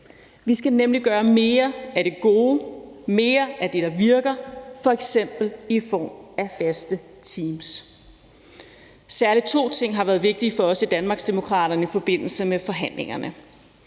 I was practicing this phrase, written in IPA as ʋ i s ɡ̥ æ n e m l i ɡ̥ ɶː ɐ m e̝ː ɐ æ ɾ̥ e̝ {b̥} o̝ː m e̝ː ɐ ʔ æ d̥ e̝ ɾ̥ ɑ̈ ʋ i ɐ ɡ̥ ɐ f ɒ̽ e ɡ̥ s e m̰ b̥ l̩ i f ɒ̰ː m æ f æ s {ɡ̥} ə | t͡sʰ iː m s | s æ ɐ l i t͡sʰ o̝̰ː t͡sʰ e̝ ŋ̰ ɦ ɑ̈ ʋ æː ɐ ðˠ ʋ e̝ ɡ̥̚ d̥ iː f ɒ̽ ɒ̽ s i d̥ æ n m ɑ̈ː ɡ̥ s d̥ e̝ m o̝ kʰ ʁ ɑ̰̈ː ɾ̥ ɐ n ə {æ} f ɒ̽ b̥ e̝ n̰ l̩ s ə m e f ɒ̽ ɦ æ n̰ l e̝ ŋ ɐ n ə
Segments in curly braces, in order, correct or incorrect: incorrect: ɡ̥, incorrect: d̥, incorrect: i

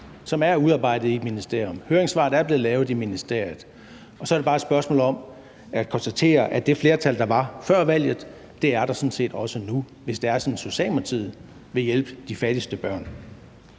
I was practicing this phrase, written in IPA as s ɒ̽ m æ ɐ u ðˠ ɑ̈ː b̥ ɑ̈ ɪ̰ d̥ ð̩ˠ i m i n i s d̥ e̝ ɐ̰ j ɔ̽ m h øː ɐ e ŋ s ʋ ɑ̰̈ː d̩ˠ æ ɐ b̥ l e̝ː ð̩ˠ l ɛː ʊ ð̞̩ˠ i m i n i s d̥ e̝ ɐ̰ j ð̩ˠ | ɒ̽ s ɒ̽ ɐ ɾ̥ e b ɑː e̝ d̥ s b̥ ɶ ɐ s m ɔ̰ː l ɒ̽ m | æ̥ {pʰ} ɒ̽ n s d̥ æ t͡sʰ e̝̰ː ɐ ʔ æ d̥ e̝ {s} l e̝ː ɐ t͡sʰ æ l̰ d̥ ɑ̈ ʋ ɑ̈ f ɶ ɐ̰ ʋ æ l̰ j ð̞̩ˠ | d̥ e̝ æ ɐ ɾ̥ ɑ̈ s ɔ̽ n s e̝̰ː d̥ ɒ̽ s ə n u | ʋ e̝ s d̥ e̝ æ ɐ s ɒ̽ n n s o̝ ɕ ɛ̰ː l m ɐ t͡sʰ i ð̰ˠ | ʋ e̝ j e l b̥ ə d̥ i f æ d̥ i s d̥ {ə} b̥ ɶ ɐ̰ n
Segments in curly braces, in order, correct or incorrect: incorrect: kʰ, incorrect: f, correct

